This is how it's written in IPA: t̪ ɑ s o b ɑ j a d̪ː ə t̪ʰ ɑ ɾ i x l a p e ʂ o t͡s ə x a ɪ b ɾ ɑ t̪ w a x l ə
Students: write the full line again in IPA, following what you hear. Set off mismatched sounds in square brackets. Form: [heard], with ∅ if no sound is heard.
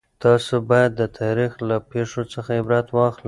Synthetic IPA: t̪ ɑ s o b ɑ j a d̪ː ə t̪ʰ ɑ ɾ i x l a p e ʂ o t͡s ə x a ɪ b ɾ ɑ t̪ w [ɑ] x l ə